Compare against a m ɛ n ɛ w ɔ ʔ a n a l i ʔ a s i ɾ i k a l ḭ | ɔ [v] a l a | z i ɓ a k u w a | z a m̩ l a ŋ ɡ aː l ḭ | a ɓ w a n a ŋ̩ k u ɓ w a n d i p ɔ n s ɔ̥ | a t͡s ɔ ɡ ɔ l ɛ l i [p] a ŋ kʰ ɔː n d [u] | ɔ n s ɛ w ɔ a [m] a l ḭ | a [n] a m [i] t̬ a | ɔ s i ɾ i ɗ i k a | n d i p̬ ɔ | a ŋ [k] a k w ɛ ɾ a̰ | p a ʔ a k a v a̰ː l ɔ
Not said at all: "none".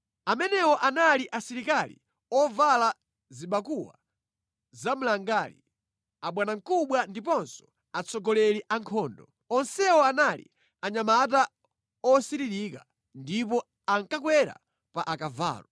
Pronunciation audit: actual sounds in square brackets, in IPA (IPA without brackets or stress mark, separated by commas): v, ʔ, ɔ, n, ɲ, a, k